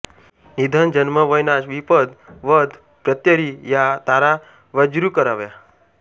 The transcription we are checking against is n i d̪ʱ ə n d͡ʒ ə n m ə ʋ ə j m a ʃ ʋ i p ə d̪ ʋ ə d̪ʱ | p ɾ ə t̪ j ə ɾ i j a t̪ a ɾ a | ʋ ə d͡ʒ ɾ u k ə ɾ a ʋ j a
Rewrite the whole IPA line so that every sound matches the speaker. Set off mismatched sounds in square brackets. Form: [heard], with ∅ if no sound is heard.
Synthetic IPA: n i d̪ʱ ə n d͡ʒ ə n m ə ʋ ə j [n] a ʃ ʋ i p ə d̪ ʋ ə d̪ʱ | p ɾ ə t̪ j ə ɾ i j a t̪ a ɾ a | ʋ ə d͡ʒ ɾ u k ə ɾ a ʋ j a